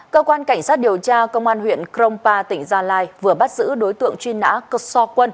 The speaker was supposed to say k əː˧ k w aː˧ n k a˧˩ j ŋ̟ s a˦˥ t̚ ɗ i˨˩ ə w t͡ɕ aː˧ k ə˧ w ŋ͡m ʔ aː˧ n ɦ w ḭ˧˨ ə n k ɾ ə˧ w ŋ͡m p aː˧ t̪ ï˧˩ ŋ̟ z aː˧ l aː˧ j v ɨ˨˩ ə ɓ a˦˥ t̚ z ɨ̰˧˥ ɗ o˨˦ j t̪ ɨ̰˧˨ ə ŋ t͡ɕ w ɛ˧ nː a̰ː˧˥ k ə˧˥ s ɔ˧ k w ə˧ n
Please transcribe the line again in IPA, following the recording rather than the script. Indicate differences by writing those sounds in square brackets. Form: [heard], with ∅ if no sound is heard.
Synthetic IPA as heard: k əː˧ k w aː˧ n k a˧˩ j ŋ̟ s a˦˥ t̚ ɗ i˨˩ ə w t͡ɕ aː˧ k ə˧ w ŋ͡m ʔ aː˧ n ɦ w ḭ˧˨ ə n k ɾ ə˧ w ŋ͡m p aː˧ t̪ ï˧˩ ŋ̟ z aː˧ l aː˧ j v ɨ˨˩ ə ɓ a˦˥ t̚ z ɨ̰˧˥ ɗ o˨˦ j t̪ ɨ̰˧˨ ə ŋ t͡ɕ w [i˧] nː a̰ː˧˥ k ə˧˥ s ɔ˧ k w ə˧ n

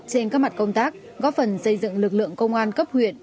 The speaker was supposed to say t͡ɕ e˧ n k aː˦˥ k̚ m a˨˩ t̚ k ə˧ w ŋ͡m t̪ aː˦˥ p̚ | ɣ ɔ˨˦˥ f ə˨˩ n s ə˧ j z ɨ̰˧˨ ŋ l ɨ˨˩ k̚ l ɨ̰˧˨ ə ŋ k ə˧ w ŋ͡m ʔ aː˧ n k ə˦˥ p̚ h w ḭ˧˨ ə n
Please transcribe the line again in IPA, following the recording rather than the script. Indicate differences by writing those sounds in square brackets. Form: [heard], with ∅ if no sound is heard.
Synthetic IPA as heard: t͡ɕ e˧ n k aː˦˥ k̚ m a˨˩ t̚ k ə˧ w ŋ͡m t̪ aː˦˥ [k̚] | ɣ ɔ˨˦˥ f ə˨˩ n s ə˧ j z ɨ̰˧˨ ŋ l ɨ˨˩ k̚ l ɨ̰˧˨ ə ŋ k ə˧ w ŋ͡m ʔ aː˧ n k ə˦˥ p̚ h w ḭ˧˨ ə n

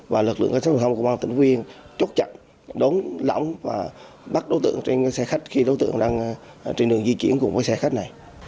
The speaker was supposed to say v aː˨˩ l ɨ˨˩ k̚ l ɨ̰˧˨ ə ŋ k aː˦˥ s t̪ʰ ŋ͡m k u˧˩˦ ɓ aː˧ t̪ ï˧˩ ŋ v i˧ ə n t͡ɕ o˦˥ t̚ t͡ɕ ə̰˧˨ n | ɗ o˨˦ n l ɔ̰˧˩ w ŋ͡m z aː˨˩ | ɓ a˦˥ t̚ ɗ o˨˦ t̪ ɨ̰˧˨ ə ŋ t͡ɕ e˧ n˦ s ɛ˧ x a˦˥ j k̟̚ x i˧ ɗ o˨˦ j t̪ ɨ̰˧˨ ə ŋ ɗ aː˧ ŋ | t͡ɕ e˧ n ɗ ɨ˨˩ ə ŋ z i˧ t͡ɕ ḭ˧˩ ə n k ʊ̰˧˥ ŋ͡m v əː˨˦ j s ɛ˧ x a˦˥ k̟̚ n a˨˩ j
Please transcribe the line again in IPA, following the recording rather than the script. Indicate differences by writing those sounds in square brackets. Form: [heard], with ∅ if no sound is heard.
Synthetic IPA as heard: v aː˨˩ l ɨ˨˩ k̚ l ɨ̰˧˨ ə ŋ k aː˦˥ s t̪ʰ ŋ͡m k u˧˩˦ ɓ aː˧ t̪ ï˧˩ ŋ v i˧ ə n t͡ɕ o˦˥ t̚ t͡ɕ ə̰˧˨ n | ɗ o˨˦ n l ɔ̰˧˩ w ŋ͡m [v] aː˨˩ | ɓ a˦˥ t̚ ɗ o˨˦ t̪ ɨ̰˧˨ ə ŋ t͡ɕ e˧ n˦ s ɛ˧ x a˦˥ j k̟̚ x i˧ ɗ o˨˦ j t̪ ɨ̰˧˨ ə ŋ ɗ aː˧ ŋ | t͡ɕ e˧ n ɗ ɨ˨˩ ə ŋ z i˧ t͡ɕ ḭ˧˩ ə n k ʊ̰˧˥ ŋ͡m v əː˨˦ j s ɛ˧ x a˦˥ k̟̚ n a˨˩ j

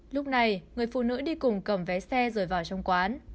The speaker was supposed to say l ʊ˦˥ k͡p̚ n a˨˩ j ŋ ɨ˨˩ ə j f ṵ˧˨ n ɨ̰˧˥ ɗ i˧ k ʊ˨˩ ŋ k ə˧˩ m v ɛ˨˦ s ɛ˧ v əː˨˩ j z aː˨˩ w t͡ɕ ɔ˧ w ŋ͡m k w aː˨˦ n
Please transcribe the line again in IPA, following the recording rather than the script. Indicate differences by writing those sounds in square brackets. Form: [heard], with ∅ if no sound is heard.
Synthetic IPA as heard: l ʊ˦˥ k͡p̚ n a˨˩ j ŋ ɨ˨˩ ə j f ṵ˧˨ n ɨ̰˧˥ ɗ i˧ k ʊ˨˩ [ŋ͡m] k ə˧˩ m v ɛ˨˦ s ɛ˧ [z] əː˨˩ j [v] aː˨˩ w t͡ɕ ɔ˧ w ŋ͡m k w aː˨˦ n

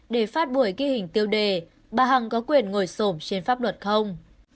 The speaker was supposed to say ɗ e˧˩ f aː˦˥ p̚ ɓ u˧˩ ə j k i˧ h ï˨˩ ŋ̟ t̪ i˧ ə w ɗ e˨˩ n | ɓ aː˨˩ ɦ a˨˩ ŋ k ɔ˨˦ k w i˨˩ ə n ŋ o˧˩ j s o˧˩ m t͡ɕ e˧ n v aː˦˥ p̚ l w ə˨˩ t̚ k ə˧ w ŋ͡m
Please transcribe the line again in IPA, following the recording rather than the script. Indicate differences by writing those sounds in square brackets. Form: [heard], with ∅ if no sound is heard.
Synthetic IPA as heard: ɗ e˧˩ f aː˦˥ [t̚] ɓ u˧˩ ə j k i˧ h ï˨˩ ŋ̟ t̪ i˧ ə w ɗ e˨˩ [∅] | ɓ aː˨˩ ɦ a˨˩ ŋ k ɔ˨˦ k w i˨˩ ə n ŋ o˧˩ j s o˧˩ m t͡ɕ e˧ n [f] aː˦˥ p̚ l w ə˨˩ t̚ [x] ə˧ w ŋ͡m

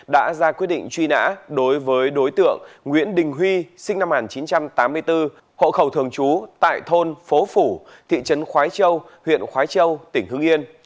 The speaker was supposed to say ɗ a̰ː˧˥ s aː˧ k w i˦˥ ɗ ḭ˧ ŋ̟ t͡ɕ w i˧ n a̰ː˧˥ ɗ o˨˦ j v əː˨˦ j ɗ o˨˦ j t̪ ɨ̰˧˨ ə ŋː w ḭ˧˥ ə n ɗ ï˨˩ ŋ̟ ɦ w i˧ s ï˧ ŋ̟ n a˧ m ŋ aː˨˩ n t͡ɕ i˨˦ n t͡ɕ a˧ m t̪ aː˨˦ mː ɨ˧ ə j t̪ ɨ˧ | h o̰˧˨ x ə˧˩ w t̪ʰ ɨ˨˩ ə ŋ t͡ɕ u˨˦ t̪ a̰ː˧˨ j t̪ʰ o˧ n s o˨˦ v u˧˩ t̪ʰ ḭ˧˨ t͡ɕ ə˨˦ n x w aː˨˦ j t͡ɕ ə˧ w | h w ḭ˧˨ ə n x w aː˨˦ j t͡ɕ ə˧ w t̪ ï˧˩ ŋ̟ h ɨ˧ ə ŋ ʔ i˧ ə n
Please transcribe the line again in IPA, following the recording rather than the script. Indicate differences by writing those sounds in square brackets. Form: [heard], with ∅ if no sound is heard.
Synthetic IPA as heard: ɗ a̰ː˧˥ [z] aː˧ k w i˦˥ ɗ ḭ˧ ŋ̟ t͡ɕ w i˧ n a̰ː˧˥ ɗ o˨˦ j v əː˨˦ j ɗ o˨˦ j t̪ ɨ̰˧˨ ə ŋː w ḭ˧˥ ə n ɗ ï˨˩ ŋ̟ ɦ w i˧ s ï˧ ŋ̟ n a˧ m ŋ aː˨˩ n t͡ɕ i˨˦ n t͡ɕ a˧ m t̪ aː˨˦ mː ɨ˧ ə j t̪ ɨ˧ | h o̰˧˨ x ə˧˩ w t̪ʰ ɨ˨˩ ə ŋ t͡ɕ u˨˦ t̪ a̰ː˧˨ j t̪ʰ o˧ n [f] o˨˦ [f] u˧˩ t̪ʰ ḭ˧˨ t͡ɕ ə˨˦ n x w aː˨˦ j t͡ɕ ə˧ w | h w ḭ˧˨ ə n x w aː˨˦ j t͡ɕ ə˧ w t̪ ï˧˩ ŋ̟ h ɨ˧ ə ŋ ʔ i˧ ə n

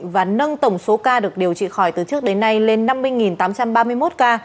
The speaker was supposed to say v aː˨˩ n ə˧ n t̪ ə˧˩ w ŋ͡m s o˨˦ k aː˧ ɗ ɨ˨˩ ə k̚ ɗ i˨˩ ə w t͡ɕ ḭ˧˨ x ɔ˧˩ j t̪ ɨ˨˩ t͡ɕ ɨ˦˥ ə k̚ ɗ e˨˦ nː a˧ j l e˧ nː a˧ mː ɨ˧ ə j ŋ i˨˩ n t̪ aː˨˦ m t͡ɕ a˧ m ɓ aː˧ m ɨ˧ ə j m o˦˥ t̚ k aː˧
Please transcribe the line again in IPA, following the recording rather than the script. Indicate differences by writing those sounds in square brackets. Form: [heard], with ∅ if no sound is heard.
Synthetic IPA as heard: v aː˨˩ n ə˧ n t̪ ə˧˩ w ŋ͡m s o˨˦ k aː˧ ɗ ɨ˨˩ ə k̚ ɗ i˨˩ ə w t͡ɕ ḭ˧˨ x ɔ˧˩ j t̪ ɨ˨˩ t͡ɕ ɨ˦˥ ə k̚ ɗ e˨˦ nː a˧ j l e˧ nː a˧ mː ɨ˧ ə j ŋ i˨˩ n t̪ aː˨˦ m t͡ɕ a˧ m ɓ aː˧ m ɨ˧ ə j m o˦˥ t̚ k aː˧

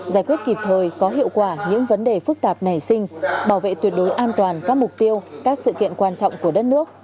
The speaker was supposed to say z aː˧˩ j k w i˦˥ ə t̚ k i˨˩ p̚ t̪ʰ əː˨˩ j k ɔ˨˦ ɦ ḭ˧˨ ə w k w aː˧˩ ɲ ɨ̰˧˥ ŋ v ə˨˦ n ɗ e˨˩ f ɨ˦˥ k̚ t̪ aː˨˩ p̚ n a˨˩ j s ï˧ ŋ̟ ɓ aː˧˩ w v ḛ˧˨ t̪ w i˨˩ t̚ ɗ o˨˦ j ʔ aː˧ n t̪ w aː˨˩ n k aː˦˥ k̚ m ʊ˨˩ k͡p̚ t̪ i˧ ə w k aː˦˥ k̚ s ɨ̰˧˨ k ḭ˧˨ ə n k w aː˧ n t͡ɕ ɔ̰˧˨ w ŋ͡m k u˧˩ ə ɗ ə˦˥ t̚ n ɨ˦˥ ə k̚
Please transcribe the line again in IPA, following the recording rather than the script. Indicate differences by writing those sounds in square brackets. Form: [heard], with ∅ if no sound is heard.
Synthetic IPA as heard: z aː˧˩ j k w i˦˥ ə t̚ k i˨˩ p̚ t̪ʰ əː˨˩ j k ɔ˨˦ ɦ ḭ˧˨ ə w k w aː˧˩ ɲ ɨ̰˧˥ ŋ v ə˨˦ n ɗ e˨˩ f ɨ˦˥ k̚ t̪ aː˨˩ p̚ n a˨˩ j s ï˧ ŋ̟ ɓ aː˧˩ w v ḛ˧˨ t̪ w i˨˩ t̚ ɗ o˨˦ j ʔ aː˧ n t̪ w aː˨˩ n k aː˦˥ k̚ m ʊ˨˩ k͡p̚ t̪ i˧ ə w k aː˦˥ k̚ s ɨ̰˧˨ k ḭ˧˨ ə n k w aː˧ n t͡ɕ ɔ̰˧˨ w ŋ͡m k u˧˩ ə ɗ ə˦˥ t̚ n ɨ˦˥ ə k̚

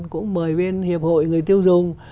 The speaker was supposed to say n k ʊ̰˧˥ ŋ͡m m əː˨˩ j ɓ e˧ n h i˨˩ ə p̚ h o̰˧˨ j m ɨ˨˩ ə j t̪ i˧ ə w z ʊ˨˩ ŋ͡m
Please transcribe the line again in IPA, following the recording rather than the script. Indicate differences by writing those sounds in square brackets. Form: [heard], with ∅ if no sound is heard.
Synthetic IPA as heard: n k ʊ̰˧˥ ŋ͡m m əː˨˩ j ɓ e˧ n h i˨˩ ə p̚ h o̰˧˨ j [ŋ] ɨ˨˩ ə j t̪ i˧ ə w z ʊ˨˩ ŋ͡m

